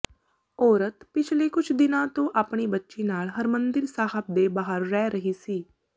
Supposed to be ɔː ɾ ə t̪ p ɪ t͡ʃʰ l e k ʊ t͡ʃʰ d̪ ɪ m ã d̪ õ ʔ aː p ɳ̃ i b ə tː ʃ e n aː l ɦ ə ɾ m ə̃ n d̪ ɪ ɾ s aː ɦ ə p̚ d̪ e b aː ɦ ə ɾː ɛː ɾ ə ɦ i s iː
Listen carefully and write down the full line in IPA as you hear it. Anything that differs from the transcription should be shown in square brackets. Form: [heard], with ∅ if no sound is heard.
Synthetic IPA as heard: ɔː ɾ ə t̪ p ɪ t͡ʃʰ l e k ʊ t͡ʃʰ d̪ ɪ [n] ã [t̪] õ ʔ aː p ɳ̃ i b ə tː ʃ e n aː l ɦ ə ɾ m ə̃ n d̪ ɪ ɾ s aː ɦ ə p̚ d̪ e b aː ɦ ə ɾː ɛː ɾ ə ɦ i s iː